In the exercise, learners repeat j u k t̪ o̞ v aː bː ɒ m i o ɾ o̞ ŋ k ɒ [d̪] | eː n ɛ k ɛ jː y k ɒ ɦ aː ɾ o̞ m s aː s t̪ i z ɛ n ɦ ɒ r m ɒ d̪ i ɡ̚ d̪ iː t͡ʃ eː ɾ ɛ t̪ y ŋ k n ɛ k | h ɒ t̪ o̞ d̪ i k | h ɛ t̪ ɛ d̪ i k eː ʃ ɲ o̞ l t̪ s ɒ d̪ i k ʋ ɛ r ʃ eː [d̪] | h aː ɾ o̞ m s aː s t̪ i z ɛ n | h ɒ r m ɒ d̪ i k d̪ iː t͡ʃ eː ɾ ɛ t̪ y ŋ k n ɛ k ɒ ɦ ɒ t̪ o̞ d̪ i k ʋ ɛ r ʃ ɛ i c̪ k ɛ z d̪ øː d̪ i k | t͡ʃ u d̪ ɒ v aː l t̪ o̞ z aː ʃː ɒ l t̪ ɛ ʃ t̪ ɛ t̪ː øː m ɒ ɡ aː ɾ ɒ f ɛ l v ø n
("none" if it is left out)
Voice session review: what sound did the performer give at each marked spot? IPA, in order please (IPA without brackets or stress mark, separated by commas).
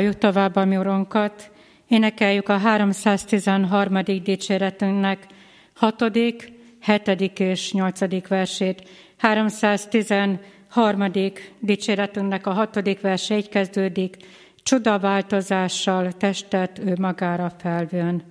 t̪, t̪